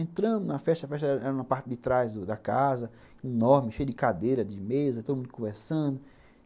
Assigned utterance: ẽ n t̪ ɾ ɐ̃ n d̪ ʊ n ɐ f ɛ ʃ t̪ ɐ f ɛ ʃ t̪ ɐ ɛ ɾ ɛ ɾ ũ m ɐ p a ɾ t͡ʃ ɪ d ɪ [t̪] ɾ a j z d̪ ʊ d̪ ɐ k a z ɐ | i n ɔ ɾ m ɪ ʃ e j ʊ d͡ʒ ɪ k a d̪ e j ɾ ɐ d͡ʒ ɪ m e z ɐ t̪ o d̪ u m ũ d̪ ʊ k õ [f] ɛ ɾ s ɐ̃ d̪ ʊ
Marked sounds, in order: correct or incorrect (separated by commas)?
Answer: correct, incorrect